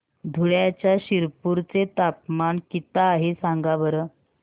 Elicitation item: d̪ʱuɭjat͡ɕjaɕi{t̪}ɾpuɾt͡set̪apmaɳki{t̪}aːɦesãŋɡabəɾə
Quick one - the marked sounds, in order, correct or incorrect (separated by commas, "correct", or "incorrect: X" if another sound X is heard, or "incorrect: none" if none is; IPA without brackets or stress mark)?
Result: incorrect: none, correct